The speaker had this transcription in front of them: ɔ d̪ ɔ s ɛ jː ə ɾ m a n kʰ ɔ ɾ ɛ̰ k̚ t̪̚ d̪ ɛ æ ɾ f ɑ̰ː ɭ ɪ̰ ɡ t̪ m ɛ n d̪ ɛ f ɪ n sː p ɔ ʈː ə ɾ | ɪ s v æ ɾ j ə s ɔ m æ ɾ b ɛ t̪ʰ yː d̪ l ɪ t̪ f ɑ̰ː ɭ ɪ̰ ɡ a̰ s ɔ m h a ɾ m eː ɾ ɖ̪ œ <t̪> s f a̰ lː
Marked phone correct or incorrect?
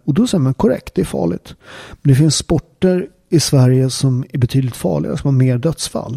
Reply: correct